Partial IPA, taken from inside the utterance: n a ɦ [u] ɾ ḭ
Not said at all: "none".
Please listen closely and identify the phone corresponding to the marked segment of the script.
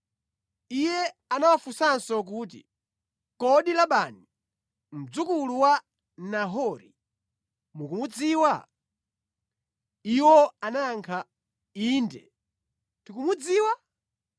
ɔ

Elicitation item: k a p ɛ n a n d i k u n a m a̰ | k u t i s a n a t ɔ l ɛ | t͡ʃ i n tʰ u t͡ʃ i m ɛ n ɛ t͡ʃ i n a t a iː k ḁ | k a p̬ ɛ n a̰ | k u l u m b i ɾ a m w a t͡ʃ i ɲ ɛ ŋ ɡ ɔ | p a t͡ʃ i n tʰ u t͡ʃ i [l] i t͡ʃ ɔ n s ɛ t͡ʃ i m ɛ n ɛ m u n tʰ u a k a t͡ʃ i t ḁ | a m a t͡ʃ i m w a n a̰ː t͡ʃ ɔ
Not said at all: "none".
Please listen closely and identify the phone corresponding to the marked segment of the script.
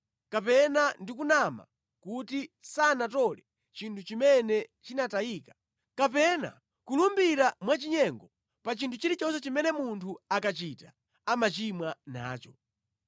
ɾ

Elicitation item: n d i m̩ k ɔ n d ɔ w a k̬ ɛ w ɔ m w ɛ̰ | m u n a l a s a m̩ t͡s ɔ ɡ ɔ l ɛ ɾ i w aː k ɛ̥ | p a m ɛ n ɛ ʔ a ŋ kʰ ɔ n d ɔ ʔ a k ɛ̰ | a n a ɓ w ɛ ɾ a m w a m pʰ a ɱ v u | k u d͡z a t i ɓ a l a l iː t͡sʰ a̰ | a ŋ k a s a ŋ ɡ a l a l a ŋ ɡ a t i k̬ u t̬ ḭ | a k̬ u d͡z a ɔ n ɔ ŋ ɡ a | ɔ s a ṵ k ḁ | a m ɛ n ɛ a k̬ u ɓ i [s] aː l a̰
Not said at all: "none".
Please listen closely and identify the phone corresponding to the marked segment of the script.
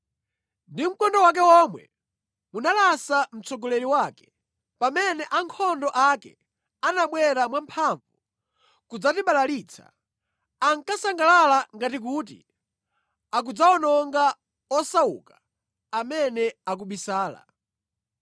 s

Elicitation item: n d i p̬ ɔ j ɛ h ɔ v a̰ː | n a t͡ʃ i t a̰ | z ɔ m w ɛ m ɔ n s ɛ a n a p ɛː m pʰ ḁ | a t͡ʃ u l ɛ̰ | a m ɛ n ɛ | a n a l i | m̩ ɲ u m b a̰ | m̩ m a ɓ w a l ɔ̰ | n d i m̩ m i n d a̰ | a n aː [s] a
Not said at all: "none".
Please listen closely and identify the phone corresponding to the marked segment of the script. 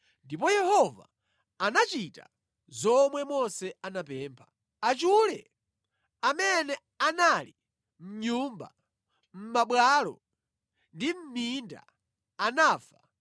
f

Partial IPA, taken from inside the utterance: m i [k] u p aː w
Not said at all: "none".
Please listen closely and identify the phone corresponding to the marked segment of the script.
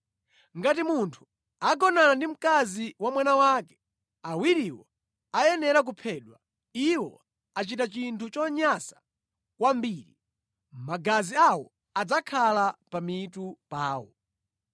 t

